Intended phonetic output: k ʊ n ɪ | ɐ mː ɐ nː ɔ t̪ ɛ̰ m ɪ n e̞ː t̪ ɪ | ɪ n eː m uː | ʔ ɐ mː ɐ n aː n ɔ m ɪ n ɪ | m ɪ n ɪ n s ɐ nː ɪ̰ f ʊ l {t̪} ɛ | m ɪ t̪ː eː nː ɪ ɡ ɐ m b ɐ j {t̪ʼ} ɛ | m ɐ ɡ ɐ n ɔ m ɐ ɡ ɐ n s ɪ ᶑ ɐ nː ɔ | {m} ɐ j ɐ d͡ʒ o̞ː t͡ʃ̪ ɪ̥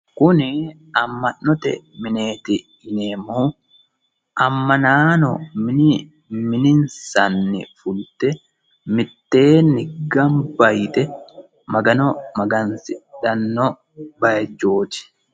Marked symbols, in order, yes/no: yes, no, no

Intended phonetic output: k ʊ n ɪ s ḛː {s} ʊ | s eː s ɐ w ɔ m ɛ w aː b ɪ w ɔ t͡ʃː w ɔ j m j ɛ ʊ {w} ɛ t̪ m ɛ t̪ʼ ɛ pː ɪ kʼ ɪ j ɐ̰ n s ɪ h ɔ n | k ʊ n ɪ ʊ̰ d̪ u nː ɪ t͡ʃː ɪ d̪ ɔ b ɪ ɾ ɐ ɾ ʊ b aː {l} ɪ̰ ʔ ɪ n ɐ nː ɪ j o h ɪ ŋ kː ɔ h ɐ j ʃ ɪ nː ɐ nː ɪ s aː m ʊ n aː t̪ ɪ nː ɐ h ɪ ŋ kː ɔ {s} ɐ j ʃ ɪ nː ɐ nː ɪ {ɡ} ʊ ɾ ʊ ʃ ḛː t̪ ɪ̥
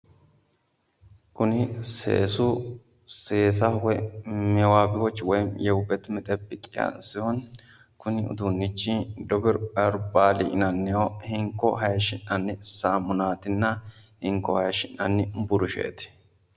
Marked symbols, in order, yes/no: yes, no, yes, no, no

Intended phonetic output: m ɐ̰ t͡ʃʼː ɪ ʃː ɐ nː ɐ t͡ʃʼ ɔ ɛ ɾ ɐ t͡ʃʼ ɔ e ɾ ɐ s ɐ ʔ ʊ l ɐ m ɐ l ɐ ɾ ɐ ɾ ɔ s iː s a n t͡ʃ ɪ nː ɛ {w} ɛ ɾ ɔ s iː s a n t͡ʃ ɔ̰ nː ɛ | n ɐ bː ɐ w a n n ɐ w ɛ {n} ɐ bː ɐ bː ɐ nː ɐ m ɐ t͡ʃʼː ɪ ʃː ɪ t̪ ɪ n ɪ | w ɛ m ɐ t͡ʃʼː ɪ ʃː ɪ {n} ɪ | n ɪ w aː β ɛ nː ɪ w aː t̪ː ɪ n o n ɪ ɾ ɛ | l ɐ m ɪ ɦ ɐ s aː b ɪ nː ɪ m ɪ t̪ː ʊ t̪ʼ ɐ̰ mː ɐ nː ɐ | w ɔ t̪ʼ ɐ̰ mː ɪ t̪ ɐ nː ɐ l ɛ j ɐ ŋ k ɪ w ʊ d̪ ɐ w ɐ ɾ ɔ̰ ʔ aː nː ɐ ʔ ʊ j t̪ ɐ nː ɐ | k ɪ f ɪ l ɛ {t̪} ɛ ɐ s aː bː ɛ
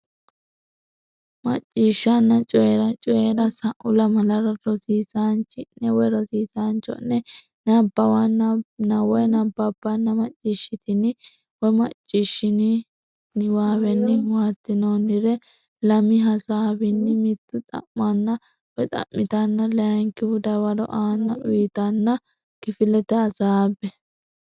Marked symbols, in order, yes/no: yes, yes, yes, yes

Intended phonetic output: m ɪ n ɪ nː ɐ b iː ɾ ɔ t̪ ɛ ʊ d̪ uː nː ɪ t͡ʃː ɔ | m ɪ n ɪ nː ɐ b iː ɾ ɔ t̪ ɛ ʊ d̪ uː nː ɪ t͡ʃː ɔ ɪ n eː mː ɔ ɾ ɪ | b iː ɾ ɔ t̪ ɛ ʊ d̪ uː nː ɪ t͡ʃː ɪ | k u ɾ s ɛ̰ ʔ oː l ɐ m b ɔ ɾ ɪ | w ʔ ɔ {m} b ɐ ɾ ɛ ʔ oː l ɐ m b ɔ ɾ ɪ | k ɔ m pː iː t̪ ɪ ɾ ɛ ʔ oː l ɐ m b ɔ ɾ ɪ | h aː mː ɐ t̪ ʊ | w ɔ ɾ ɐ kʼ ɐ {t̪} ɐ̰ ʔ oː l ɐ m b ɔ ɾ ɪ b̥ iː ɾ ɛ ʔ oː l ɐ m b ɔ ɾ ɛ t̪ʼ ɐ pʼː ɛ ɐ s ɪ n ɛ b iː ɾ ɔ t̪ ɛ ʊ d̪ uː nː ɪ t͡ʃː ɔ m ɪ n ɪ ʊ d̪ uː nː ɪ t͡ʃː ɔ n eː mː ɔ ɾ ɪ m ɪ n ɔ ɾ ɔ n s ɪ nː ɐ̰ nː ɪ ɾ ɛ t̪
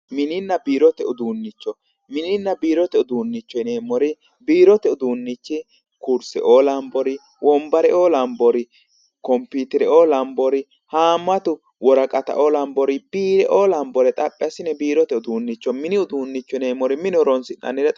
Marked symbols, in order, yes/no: yes, yes

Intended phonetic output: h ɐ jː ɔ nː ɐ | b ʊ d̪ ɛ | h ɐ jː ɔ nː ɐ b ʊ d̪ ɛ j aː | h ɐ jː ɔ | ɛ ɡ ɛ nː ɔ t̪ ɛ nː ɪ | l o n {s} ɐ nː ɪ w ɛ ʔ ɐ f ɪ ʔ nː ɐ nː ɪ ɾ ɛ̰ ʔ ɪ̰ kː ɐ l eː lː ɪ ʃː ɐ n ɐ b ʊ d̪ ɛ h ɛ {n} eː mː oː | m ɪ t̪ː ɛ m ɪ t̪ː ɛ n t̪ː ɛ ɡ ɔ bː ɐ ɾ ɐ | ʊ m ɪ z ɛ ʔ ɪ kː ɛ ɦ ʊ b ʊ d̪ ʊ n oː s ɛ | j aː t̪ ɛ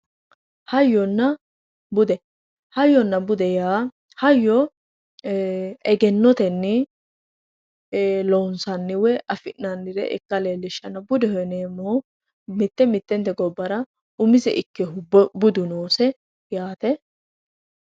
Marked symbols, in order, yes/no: yes, yes

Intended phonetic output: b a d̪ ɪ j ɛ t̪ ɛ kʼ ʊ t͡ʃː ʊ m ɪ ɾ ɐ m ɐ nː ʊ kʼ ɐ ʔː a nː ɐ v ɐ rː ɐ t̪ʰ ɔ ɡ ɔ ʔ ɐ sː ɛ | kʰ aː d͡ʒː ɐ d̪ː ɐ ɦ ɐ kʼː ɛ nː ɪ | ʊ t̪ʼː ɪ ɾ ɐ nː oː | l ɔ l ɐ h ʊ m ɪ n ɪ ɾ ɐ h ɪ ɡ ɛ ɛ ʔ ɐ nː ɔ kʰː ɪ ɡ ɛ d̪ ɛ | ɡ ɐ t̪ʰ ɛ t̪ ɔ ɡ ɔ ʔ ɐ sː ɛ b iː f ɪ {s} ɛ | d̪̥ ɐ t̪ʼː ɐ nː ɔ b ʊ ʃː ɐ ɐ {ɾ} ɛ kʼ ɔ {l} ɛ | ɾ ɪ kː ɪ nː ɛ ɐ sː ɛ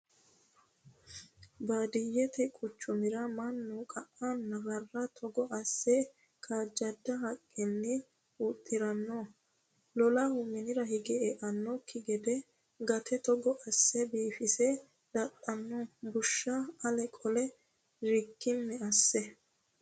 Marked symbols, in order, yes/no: yes, no, yes

